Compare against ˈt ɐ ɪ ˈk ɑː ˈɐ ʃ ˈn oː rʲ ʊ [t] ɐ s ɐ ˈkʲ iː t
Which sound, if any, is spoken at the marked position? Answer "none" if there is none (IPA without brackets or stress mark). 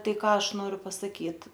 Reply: p